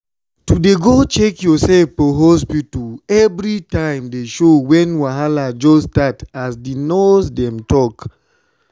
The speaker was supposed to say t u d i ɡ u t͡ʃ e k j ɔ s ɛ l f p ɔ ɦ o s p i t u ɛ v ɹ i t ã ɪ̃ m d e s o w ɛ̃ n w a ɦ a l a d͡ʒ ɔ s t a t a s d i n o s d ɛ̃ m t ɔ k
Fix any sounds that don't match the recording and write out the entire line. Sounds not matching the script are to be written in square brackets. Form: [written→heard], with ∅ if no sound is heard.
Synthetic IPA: t u d [i→e] ɡ [u→o] t͡ʃ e k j ɔ s ɛ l f p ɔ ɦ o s p i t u ɛ v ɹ i t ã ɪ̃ m d e [s→ʃ] o w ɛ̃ n w a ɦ a l a d͡ʒ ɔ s t a t a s d i n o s d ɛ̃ m t ɔ k